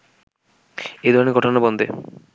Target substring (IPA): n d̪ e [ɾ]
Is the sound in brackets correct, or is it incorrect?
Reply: incorrect